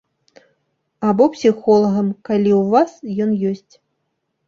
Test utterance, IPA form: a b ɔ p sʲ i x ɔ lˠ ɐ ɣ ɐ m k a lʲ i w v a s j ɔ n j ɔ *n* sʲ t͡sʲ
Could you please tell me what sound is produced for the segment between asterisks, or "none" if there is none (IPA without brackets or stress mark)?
none